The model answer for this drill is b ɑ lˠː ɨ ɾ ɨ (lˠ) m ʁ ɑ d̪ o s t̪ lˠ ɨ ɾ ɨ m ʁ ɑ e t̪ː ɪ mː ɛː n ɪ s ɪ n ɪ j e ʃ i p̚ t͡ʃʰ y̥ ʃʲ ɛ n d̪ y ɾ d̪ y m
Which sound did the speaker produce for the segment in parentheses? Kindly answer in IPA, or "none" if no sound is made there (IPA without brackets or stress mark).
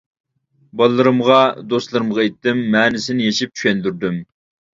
none